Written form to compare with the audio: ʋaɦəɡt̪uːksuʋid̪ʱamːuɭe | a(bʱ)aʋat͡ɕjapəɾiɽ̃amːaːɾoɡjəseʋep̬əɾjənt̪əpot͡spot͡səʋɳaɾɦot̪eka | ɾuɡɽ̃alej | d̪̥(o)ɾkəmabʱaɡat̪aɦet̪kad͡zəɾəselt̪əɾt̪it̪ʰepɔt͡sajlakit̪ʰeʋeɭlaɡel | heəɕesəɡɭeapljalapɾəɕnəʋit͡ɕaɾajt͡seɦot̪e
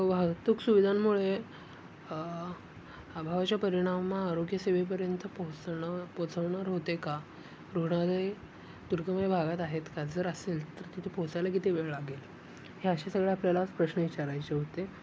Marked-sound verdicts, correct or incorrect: correct, incorrect

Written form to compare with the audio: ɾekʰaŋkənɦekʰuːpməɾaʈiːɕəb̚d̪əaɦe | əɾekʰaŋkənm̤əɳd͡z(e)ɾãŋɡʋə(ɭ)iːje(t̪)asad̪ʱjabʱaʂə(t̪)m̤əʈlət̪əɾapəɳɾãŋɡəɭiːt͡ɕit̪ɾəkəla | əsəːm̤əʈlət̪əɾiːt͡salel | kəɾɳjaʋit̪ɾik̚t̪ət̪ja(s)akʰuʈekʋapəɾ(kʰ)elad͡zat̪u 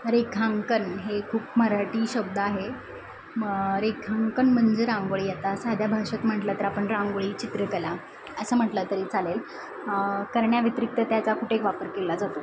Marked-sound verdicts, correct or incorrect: correct, correct, correct, correct, incorrect, incorrect

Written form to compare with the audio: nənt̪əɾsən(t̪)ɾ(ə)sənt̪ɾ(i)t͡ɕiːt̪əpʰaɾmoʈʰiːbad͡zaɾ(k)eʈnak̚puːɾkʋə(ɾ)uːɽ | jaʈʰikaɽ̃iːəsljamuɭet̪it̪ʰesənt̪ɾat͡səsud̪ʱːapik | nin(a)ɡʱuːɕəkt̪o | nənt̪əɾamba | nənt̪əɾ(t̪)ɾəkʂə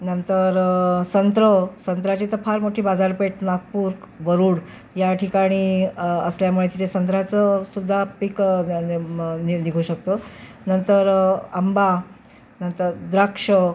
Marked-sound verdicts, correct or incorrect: correct, correct, incorrect, incorrect, correct, incorrect, incorrect

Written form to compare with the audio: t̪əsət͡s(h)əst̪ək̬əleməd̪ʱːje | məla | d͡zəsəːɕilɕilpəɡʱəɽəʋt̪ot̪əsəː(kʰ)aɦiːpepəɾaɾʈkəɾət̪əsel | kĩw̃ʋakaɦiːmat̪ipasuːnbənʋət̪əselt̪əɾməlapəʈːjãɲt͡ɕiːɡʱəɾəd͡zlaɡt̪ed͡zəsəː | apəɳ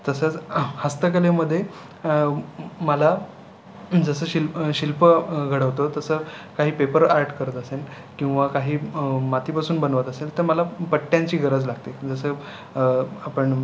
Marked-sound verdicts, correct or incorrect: correct, incorrect

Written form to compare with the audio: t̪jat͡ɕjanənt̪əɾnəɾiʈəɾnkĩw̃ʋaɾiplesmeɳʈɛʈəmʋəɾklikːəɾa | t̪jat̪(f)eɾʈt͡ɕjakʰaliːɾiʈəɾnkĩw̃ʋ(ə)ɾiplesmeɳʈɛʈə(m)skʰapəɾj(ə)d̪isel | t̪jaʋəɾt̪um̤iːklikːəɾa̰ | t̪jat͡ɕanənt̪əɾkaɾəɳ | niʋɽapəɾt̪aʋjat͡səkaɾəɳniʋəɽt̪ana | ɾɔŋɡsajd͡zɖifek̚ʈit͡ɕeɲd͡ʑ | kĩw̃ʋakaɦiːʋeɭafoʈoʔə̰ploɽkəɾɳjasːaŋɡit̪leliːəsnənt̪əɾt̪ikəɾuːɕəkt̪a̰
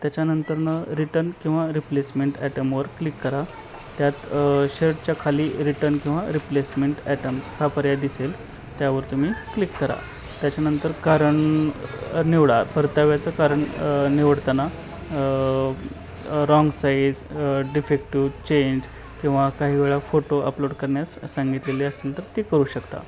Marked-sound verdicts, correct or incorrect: incorrect, incorrect, correct, incorrect

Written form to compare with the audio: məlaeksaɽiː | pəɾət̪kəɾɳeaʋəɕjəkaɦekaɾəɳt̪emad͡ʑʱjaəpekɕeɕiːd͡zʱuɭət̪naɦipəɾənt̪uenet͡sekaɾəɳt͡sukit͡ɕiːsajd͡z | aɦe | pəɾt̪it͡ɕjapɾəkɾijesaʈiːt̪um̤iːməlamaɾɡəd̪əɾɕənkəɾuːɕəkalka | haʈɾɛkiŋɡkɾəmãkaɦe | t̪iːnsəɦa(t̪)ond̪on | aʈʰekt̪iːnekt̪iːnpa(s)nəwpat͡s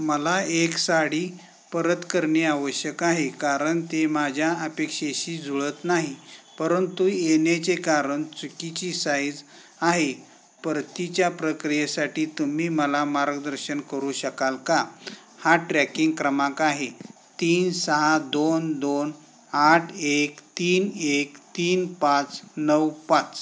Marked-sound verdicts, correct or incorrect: incorrect, incorrect

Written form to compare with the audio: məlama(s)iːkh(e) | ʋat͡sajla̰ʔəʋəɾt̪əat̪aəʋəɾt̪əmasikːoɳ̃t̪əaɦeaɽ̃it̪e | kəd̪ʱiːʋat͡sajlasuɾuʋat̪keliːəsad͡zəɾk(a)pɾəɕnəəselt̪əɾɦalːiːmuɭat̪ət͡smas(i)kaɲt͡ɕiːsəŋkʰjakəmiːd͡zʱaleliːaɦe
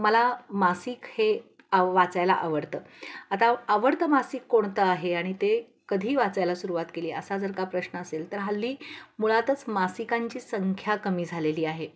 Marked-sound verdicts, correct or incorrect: correct, correct, correct, correct

